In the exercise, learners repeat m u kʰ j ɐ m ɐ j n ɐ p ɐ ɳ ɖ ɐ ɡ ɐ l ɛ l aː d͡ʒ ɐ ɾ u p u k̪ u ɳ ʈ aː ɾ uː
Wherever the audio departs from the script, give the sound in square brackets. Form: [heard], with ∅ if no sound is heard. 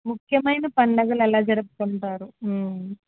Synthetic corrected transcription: m u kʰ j ɐ m ɐ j n ɐ p ɐ ɳ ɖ ɐ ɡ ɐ l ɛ l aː d͡ʒ ɐ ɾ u p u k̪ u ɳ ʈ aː ɾ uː